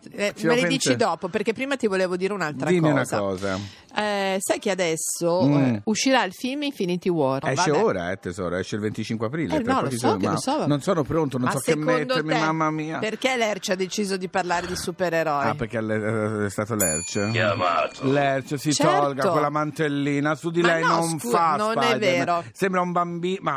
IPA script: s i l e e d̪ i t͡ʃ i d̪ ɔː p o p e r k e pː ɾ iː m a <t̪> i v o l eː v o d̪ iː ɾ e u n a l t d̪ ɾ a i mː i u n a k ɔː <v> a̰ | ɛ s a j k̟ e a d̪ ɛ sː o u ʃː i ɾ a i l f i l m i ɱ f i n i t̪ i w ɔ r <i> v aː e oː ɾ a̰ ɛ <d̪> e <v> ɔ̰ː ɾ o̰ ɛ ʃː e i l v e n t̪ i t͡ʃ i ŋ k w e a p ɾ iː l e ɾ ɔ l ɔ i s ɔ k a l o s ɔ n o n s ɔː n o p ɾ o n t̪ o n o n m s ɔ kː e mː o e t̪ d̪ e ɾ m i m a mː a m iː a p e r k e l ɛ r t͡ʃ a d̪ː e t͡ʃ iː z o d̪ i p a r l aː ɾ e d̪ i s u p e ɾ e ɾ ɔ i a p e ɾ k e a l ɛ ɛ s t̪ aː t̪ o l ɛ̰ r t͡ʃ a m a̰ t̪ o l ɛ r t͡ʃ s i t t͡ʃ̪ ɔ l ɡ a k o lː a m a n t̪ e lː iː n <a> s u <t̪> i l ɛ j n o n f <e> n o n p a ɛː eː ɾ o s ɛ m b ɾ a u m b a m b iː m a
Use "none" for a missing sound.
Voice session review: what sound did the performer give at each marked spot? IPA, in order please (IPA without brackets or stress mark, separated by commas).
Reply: t̪, z, ɛ, t̪, z, a, d̪, a